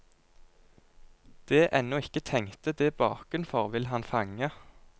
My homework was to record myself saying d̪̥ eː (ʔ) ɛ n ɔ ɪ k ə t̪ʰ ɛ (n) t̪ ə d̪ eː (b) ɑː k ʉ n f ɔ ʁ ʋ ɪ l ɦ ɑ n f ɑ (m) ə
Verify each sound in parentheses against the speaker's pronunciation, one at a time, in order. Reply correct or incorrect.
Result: correct, incorrect, correct, incorrect

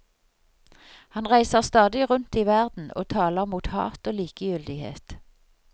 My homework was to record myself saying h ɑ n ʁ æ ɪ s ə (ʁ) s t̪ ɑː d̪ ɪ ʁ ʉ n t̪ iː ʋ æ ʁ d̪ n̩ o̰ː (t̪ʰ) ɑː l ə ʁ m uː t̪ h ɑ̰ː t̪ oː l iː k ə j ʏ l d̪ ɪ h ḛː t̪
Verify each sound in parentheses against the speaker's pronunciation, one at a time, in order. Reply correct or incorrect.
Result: correct, correct

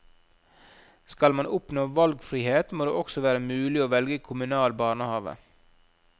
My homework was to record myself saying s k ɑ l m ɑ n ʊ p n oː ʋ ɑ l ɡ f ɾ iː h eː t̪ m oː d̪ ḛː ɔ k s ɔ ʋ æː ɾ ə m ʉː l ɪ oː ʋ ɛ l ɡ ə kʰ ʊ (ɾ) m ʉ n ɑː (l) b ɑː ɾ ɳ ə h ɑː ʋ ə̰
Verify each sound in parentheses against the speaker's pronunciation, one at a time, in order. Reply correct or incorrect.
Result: incorrect, correct

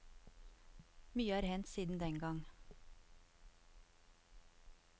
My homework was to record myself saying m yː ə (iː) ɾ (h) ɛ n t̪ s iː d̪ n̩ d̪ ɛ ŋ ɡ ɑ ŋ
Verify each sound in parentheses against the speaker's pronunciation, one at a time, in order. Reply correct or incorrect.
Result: incorrect, correct

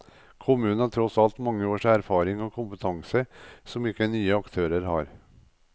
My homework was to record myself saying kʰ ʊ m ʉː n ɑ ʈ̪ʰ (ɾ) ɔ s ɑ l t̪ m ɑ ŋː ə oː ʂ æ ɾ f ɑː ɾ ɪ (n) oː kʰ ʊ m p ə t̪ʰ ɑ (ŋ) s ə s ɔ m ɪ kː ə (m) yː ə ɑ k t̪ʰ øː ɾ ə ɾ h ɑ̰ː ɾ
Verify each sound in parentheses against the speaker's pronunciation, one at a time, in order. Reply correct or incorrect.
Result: correct, incorrect, correct, incorrect

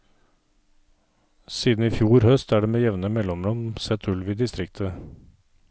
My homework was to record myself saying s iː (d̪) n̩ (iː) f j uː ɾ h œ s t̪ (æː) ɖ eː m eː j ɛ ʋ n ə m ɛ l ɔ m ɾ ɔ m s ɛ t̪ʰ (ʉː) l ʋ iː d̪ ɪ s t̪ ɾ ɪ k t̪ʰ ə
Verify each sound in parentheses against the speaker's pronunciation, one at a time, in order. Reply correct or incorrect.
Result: correct, correct, correct, incorrect

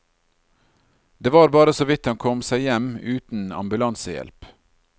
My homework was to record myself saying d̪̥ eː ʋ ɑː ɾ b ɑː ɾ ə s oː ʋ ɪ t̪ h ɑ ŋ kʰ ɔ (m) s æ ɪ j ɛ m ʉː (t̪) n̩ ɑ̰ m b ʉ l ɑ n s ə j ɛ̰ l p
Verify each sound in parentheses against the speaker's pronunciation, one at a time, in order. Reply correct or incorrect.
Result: correct, correct

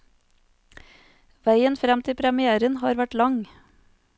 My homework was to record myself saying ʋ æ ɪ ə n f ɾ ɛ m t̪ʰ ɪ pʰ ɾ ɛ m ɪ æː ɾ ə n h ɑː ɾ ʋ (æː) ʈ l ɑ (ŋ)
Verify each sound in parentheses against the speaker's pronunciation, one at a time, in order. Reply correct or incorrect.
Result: incorrect, correct

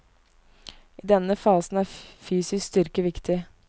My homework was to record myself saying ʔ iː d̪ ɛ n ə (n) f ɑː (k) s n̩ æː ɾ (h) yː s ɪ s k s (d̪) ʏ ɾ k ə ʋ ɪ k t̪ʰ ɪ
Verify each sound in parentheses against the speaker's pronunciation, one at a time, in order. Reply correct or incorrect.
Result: incorrect, incorrect, incorrect, incorrect

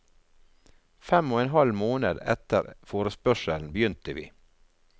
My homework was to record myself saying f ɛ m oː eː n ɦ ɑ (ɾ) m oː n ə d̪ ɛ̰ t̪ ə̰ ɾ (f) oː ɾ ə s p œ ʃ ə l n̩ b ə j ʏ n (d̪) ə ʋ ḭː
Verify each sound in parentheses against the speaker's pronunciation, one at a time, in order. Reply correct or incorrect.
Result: incorrect, correct, incorrect

